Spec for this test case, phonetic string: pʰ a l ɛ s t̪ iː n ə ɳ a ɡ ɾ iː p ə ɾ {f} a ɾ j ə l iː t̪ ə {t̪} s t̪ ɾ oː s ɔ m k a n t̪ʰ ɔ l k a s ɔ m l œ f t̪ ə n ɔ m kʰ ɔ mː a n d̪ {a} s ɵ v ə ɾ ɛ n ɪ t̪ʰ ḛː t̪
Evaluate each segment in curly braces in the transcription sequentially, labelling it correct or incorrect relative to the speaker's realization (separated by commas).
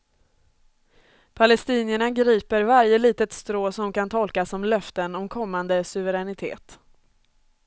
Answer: incorrect, correct, incorrect